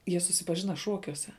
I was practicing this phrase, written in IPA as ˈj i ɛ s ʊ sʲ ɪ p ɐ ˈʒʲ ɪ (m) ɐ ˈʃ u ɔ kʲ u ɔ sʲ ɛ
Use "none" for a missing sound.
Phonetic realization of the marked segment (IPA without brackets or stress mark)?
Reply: n